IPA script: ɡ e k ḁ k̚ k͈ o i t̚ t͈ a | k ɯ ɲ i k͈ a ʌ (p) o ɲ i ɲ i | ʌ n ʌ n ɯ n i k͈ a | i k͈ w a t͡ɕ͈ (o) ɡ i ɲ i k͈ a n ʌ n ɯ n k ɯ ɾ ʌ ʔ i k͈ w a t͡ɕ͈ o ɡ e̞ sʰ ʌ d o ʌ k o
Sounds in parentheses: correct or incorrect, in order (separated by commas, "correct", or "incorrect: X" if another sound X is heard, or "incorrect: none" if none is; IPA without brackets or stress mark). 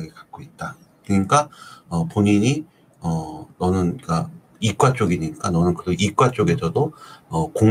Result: correct, correct